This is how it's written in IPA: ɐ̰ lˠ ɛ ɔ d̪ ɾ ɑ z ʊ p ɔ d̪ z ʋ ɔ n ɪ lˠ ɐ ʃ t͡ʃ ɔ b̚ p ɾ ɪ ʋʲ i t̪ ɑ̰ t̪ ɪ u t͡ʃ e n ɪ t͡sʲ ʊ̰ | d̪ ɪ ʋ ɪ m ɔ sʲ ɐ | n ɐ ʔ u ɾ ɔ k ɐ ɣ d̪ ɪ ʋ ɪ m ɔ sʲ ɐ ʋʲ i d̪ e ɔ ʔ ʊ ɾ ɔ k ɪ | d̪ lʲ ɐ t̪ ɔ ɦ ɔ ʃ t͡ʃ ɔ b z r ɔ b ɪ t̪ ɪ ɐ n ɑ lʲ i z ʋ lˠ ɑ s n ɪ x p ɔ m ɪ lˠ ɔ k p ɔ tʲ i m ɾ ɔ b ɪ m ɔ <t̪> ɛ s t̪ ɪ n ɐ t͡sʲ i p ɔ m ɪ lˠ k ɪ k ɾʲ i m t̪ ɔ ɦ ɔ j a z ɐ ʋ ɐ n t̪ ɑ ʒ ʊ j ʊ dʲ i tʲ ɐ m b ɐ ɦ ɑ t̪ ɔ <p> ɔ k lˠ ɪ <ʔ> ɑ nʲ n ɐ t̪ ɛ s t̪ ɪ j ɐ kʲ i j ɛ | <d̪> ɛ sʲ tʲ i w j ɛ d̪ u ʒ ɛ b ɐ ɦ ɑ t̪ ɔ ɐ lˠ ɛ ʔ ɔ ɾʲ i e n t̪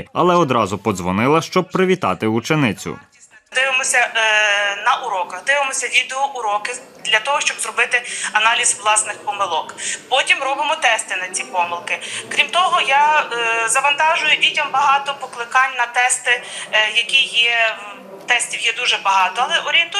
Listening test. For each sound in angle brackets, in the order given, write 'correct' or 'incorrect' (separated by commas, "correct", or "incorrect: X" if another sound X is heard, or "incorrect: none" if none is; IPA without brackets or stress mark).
correct, correct, incorrect: k, incorrect: t̪